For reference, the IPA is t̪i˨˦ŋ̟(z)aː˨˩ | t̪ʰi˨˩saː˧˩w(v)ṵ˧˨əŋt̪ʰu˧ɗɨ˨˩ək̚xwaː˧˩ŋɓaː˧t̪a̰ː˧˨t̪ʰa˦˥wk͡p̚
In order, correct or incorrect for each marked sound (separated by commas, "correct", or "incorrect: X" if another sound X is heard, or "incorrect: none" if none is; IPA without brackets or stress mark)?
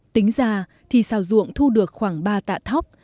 correct, incorrect: z